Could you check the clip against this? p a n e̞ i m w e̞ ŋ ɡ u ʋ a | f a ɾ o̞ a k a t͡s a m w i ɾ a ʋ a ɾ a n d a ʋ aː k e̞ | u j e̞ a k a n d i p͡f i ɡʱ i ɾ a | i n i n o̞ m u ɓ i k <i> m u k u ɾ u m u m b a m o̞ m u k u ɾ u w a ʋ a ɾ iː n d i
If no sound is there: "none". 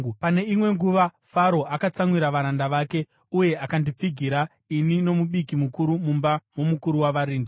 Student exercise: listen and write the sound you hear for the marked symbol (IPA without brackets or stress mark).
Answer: i